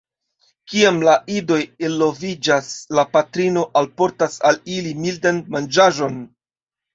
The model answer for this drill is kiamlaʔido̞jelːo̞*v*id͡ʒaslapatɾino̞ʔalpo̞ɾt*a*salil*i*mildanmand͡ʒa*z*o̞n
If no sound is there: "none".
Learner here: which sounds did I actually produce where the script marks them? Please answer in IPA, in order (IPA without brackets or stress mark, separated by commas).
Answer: v, a, i, ʒ